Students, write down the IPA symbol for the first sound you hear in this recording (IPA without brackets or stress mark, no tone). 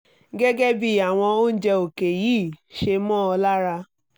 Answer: ɡ